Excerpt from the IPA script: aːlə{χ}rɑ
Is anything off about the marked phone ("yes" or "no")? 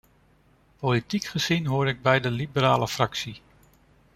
yes